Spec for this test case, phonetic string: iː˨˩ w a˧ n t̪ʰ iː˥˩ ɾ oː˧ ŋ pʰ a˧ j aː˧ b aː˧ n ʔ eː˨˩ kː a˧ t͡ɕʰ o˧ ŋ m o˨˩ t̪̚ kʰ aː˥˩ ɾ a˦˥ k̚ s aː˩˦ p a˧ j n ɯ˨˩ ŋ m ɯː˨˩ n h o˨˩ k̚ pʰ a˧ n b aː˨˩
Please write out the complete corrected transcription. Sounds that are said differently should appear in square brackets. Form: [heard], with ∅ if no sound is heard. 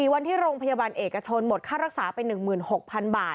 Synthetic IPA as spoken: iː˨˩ w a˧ n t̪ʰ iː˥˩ ɾ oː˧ ŋ pʰ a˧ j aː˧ b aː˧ n ʔ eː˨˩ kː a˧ t͡ɕʰ o˧ [n] m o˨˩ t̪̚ kʰ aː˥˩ ɾ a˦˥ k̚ s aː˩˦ p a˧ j n ɯ˨˩ ŋ m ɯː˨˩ n h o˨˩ k̚ pʰ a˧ n b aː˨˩